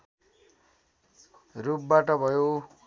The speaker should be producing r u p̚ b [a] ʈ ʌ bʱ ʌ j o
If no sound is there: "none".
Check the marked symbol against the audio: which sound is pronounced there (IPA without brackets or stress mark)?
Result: a